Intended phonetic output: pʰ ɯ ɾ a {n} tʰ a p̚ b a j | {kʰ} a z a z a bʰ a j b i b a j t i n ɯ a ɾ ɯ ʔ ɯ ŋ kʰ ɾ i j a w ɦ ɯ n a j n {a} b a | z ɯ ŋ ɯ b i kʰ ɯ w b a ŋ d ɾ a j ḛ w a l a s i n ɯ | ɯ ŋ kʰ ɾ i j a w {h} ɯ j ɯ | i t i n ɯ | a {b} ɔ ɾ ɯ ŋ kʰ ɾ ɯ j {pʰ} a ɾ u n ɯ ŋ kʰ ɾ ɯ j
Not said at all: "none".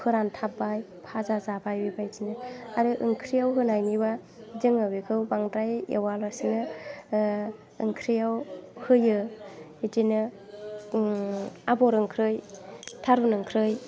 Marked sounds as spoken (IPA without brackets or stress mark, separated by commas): n, pʰ, i, h, b, tʰ